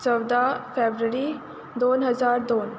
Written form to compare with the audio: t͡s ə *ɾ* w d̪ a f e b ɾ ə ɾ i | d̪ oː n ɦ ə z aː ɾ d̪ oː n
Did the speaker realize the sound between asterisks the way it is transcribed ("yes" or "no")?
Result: no